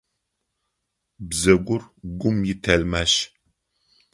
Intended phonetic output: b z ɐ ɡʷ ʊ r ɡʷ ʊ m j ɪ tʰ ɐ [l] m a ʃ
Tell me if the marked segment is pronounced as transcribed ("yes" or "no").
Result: yes